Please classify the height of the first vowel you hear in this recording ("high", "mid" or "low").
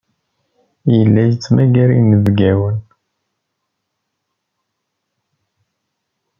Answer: mid